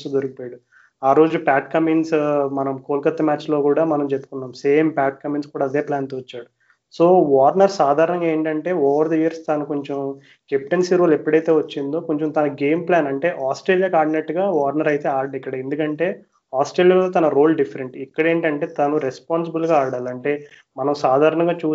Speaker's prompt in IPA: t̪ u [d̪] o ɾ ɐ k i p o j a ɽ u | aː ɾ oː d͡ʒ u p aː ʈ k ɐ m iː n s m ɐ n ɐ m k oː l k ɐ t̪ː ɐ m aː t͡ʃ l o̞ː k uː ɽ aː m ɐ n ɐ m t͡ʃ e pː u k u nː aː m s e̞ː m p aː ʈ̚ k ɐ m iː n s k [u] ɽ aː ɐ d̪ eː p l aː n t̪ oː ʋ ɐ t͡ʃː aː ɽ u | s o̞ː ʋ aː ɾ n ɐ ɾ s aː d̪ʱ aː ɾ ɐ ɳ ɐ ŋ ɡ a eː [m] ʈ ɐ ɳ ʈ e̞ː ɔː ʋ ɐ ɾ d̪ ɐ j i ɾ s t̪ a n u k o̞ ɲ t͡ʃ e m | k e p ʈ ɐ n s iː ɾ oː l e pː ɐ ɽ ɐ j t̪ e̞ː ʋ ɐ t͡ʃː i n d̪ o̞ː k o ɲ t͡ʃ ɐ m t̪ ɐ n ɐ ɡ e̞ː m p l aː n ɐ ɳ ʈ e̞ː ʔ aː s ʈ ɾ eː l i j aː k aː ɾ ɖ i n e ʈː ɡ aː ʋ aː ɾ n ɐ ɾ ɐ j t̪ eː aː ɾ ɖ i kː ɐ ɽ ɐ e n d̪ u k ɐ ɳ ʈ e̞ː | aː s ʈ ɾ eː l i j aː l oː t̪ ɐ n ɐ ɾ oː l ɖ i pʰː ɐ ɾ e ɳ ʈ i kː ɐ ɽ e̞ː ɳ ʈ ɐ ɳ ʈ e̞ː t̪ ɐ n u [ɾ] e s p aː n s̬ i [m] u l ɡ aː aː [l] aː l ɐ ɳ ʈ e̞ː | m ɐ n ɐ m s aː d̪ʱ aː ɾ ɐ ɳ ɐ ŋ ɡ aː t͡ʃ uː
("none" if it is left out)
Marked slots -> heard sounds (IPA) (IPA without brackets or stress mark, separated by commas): d̪, uː, ɳ, ɾ, b, ɽ